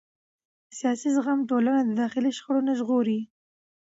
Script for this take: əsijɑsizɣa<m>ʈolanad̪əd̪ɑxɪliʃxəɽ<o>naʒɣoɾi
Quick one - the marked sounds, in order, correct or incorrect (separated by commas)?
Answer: correct, correct